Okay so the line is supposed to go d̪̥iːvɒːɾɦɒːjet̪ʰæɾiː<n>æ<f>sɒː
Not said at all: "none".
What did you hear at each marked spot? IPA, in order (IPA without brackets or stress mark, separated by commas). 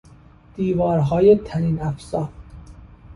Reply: n, f